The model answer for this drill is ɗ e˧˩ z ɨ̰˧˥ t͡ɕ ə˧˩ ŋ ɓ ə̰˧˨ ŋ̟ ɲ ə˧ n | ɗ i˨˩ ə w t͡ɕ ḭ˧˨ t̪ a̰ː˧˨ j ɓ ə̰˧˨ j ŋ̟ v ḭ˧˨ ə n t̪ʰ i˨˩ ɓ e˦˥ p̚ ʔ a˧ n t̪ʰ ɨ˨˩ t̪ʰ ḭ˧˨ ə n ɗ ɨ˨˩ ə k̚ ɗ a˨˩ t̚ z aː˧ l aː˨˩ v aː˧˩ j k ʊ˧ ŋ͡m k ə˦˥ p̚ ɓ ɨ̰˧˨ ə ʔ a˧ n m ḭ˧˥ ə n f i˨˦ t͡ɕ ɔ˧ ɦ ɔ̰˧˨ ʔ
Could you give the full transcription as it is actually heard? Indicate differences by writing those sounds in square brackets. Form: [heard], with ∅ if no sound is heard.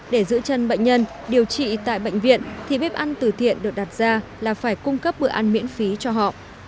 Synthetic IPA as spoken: ɗ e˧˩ z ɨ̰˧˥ t͡ɕ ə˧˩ [n] ɓ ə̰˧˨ ŋ̟ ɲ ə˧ n | ɗ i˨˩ ə w t͡ɕ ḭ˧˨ t̪ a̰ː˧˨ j ɓ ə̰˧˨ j ŋ̟ v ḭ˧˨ ə n t̪ʰ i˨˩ ɓ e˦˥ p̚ ʔ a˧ n [t̪] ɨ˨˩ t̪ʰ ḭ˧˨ ə n ɗ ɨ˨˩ ə k̚ ɗ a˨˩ t̚ z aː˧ l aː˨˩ [f] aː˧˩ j k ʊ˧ ŋ͡m k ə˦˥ p̚ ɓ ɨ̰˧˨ ə ʔ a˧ n m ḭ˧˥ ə n f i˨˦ t͡ɕ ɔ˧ ɦ ɔ̰˧˨ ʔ

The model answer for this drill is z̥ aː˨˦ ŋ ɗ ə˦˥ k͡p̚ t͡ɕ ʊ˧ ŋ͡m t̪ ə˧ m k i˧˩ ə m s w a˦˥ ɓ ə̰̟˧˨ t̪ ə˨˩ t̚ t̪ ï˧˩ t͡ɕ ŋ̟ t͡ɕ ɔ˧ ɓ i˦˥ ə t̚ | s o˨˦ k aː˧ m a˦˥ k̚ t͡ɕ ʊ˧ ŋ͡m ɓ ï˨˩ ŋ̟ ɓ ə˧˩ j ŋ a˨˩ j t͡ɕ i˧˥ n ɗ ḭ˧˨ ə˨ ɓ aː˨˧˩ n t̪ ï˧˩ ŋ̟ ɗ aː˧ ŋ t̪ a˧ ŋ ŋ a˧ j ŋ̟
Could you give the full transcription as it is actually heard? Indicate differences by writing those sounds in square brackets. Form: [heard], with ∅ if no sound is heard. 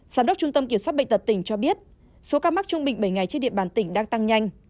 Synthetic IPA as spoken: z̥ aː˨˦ [m] ɗ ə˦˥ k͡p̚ t͡ɕ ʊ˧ ŋ͡m t̪ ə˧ m k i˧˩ ə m s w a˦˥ ɓ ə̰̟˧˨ t̪ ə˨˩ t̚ t̪ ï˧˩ [∅] ŋ̟ t͡ɕ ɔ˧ ɓ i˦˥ ə t̚ | s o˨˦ k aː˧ m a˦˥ k̚ t͡ɕ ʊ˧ ŋ͡m ɓ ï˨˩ ŋ̟ ɓ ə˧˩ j ŋ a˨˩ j t͡ɕ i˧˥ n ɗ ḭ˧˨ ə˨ ɓ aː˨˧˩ n t̪ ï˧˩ ŋ̟ ɗ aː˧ ŋ t̪ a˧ ŋ [ɲ] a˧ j ŋ̟

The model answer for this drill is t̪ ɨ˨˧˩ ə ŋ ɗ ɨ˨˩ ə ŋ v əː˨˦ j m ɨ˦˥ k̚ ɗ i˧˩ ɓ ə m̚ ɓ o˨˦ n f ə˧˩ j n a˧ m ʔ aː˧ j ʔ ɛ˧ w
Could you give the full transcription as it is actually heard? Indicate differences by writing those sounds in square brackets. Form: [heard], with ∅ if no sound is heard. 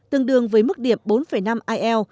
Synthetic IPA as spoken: t̪ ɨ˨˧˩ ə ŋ ɗ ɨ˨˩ ə ŋ v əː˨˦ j m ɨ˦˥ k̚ ɗ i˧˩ [∅] ə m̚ ɓ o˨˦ n f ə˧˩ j n a˧ m ʔ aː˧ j ʔ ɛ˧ w

